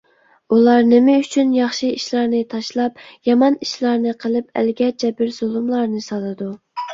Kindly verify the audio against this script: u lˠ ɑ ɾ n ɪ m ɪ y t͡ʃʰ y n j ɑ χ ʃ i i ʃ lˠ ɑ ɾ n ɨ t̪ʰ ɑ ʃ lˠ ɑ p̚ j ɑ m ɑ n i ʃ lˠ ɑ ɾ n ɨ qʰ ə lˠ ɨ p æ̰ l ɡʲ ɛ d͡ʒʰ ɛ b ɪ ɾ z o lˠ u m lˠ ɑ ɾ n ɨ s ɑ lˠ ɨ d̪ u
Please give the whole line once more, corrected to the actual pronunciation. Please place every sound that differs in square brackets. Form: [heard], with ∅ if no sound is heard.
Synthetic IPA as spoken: u lˠ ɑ ɾ n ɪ m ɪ y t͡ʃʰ y n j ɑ χ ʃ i i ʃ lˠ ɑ ɾ n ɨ t̪ʰ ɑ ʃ lˠ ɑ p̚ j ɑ m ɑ n i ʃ lˠ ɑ ɾ n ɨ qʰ ə lˠ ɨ p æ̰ l ɡʲ ɛ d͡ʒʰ ɛ b ɪ ɾ z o lˠ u m lˠ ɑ ɾ n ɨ s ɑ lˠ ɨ d̪ u